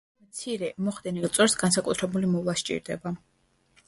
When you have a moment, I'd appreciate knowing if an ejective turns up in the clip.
yes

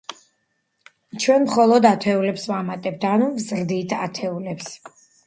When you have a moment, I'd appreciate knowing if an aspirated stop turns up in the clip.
yes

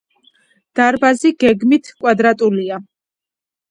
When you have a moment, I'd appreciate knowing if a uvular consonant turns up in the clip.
no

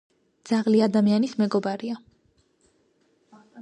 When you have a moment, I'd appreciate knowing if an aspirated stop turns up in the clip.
no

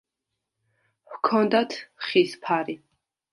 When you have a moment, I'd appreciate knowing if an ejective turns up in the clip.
no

